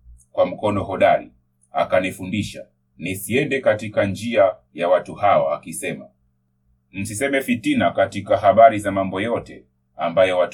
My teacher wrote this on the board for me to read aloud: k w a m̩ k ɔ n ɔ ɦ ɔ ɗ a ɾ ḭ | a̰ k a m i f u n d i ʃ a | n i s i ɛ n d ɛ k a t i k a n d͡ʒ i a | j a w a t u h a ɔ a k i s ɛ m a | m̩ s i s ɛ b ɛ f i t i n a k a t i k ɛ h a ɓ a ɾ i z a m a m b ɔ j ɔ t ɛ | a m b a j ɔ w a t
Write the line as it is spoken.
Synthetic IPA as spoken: k w a m̩ k ɔ n ɔ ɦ ɔ ɗ a ɾ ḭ | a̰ k a n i f u n d i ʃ a | n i s i ɛ n d ɛ k a t i k a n d͡ʒ i a | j a w a t u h a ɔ a k i s ɛ m a | m̩ s i s ɛ m ɛ f i t i n a k a t i k a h a ɓ a ɾ i z a m a m b ɔ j ɔ t ɛ | a m b a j ɔ w a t